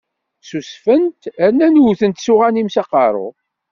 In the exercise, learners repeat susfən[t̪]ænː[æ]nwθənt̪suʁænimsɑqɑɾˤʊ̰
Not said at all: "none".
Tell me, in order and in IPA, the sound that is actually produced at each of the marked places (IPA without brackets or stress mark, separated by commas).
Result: t̪, æ